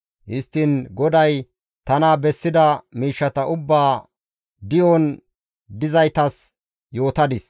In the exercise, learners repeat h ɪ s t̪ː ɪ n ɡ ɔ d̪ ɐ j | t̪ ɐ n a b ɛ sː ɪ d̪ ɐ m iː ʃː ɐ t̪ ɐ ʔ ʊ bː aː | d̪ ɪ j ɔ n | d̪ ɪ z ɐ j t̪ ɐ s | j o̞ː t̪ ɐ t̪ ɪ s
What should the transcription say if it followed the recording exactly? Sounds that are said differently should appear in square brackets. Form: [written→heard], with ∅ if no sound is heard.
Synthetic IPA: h ɪ s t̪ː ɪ n ɡ ɔ d̪ ɐ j | t̪ ɐ n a b ɛ sː ɪ d̪ ɐ m iː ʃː ɐ t̪ ɐ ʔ ʊ bː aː | d̪ ɪ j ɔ n | d̪ ɪ z ɐ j t̪ ɐ s | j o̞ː t̪ ɐ [t̪→d̪] ɪ s